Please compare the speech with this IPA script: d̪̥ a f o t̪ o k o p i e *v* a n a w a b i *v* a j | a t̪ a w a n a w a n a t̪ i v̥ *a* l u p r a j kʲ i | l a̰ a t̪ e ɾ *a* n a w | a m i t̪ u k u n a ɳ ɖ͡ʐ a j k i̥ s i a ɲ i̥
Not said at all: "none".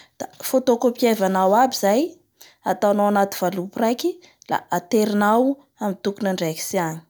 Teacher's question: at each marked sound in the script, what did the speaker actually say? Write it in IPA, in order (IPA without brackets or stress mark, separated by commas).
v, z, a, i